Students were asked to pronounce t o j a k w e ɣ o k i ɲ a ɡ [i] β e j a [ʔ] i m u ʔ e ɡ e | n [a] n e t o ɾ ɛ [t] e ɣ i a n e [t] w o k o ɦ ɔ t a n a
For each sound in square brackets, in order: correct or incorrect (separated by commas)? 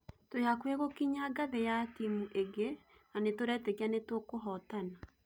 incorrect, incorrect, correct, correct, correct